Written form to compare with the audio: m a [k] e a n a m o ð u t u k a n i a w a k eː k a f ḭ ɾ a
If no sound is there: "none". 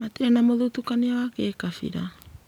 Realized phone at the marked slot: t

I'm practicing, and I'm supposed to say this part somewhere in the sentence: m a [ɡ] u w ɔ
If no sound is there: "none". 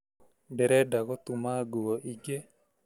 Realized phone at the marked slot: ɡ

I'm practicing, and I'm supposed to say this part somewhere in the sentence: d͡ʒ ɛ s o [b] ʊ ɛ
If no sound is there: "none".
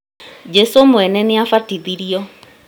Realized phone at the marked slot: m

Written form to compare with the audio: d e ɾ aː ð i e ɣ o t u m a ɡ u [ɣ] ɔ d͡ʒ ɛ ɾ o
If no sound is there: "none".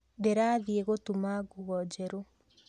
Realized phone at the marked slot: ɣ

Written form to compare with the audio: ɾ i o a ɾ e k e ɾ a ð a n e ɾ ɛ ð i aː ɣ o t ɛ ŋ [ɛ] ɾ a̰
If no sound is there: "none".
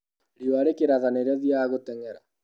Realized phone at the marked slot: ɛ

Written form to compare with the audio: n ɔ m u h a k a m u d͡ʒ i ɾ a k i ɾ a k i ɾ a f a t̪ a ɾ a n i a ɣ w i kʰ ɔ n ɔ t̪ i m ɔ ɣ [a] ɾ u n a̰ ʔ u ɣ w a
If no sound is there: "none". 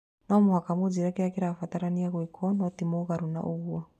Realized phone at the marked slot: a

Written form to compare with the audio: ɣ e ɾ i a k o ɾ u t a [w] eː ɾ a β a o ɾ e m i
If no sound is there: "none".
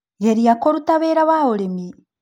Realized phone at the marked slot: β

